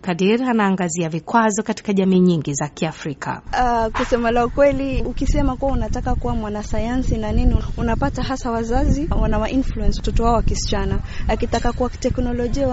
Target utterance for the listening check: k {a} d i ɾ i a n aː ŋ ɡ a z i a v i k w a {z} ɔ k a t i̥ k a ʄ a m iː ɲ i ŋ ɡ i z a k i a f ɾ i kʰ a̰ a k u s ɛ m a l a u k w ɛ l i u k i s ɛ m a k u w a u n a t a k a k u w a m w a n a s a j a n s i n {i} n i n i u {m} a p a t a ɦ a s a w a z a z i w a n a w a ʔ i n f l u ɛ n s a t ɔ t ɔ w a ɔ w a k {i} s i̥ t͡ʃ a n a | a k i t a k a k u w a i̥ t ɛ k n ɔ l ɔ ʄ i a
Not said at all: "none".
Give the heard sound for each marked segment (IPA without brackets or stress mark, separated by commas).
a, z, a, n, i